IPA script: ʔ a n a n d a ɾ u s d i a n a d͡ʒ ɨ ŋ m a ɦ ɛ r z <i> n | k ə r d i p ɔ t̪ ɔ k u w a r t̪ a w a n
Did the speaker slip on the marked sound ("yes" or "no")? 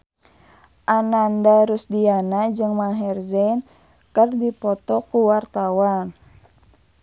yes